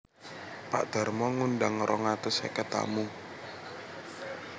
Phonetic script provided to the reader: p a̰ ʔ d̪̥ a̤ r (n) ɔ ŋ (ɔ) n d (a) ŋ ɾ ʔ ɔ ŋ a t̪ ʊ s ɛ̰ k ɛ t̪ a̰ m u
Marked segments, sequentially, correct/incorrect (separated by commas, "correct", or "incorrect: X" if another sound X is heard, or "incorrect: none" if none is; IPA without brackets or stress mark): incorrect: m, incorrect: u, correct